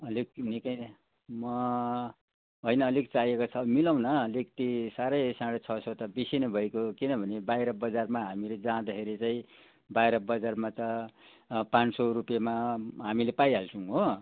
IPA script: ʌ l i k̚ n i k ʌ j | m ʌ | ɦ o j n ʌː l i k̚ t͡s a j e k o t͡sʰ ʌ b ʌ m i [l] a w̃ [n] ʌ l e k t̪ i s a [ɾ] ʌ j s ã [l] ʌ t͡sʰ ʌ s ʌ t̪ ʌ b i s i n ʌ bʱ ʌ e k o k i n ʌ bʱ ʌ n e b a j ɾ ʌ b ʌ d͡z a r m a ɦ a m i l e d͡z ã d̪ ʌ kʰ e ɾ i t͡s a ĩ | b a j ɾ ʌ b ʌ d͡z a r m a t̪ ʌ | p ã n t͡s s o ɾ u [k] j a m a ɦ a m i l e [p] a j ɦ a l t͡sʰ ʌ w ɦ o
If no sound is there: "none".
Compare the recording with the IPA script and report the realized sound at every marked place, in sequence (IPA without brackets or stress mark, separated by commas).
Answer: l, n, ɾ, ɽ, p, p